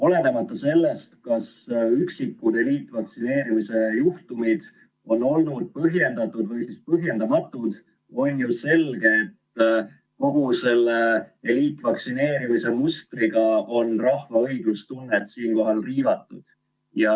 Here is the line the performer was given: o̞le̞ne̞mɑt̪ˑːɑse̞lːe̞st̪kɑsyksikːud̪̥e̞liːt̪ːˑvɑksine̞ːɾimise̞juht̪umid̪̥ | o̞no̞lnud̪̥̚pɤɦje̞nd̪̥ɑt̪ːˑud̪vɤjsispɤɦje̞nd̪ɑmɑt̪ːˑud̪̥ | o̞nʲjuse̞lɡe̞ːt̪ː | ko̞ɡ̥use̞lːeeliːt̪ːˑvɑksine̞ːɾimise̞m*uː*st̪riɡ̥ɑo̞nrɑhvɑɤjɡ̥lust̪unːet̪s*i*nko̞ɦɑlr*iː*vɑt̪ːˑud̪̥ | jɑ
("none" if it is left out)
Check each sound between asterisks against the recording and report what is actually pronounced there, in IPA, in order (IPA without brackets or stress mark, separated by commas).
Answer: u, iː, iː